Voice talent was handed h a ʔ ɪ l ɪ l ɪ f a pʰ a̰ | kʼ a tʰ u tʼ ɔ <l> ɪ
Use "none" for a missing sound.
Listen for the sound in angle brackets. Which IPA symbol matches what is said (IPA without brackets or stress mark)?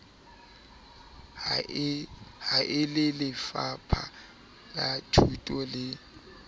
l